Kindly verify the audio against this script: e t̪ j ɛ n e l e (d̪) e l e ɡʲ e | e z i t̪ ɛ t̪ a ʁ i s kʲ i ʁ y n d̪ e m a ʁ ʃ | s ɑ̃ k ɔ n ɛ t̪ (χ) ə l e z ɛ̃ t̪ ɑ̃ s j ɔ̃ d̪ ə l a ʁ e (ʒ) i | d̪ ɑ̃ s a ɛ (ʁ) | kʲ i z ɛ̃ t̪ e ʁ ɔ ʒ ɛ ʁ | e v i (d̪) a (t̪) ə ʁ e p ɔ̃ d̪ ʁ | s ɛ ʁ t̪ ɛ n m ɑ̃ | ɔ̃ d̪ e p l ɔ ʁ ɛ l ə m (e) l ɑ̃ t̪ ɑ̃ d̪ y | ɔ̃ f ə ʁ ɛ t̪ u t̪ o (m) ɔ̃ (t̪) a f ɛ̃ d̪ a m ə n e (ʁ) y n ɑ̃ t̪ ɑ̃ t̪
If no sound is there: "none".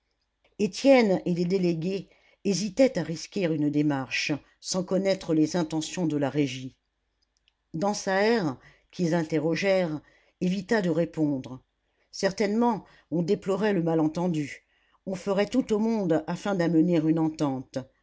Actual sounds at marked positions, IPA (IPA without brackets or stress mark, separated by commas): d̪, χ, ʒ, ʁ, t̪, d̪, a, m, d̪, ʁ